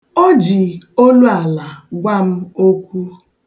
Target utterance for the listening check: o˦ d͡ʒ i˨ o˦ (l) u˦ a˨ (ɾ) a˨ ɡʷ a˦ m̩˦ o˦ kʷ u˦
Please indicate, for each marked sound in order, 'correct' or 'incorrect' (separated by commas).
correct, incorrect